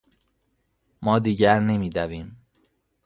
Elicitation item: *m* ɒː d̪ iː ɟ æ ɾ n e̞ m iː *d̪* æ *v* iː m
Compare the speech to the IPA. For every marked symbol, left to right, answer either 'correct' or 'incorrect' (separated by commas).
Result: correct, correct, correct